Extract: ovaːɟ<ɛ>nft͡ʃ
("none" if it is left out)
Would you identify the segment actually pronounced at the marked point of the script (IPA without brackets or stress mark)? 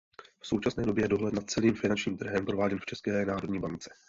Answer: ɛ